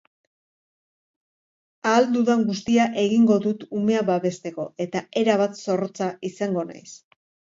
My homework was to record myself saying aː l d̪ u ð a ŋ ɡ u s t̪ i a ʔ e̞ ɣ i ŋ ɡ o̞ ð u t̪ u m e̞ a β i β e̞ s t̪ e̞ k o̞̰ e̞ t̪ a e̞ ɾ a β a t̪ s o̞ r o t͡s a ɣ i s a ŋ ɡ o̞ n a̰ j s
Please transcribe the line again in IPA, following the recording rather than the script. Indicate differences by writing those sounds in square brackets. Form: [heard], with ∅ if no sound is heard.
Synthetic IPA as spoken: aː l d̪ u ð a ŋ ɡ u s t̪ i a ʔ e̞ ɣ i ŋ ɡ o̞ ð u t̪ u m e̞ a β [a] β e̞ s t̪ e̞ k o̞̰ e̞ t̪ a e̞ ɾ a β a t̪ s o̞ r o t͡s a [∅] i s a ŋ ɡ o̞ n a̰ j s